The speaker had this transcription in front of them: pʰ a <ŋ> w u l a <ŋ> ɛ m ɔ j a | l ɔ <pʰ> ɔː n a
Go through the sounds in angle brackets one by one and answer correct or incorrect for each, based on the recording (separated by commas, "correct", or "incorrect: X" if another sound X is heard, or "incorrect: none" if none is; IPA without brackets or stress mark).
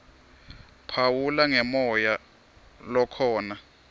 incorrect: none, correct, incorrect: kʰ